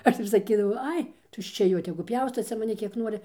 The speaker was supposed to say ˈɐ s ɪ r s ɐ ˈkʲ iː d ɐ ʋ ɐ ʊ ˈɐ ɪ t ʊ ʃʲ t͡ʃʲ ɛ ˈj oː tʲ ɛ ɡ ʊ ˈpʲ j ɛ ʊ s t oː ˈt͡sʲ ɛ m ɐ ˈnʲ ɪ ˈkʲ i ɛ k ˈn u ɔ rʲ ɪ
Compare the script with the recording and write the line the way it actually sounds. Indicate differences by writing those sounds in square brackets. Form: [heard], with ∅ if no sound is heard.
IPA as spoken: ˈɐ [ʃ] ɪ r s ɐ ˈkʲ iː d ɐ ʋ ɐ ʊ ˈɐ ɪ t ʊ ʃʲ t͡ʃʲ ɛ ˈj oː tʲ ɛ ɡ ʊ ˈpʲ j ɛ ʊ s t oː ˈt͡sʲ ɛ m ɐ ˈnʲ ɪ ˈkʲ i ɛ k ˈn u ɔ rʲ ɪ